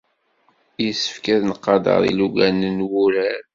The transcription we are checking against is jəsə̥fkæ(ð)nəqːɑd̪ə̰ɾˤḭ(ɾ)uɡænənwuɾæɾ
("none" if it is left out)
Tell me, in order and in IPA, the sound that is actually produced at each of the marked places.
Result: ð, l

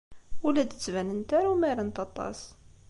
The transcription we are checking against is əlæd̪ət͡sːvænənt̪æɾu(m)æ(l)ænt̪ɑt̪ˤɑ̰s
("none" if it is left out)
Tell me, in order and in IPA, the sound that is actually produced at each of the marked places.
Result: m, ɾ

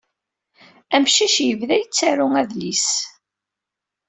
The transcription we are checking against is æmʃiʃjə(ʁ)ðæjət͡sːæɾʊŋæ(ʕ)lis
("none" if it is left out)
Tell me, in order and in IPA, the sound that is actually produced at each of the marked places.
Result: v, ð

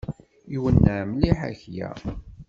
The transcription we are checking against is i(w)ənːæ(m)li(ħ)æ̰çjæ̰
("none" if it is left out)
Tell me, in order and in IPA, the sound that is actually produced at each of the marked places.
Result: w, m, ħ

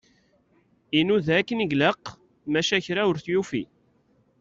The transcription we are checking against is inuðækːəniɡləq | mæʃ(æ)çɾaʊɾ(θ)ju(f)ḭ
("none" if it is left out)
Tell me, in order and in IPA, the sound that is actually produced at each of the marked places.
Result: æ, θ, f

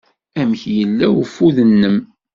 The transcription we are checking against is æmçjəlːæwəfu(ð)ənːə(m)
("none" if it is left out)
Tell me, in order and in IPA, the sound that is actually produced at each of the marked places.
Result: ð, m

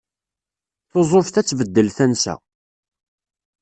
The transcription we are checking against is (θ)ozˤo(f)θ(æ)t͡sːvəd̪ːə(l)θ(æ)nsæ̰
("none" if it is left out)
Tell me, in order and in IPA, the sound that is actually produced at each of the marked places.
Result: θ, f, æ, l, æ

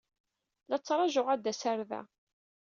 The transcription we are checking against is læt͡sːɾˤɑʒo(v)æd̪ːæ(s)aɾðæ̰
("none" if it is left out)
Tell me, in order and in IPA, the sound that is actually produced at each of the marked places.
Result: ʁ, s

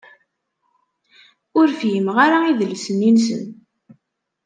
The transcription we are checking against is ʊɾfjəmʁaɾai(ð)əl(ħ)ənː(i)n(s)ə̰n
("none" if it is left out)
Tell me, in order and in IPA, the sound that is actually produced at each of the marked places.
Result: ð, s, i, s

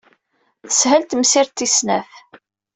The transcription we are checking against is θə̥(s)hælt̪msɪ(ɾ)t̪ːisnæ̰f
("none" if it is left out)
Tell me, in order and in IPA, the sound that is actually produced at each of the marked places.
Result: s, ɾ

